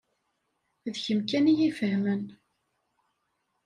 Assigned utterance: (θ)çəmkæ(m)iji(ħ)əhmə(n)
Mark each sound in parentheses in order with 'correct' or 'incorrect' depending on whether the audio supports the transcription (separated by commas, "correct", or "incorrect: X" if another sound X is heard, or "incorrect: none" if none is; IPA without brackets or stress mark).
incorrect: ð, incorrect: n, incorrect: f, correct